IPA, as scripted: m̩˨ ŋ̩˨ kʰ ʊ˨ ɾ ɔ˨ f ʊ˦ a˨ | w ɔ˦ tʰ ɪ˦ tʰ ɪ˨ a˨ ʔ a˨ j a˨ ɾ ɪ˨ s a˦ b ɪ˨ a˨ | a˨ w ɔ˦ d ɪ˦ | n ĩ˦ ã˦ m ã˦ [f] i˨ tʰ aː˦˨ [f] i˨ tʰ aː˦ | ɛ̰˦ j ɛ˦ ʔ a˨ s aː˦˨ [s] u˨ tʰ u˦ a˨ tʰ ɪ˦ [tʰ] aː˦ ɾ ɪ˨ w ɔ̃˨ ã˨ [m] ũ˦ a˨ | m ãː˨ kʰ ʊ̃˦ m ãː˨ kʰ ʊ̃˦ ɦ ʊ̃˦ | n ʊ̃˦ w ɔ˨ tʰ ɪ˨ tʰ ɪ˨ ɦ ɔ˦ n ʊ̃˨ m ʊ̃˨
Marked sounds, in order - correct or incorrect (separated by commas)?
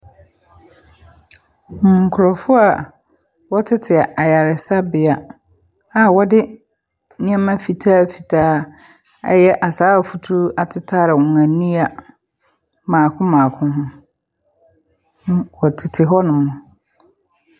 correct, correct, incorrect, correct, incorrect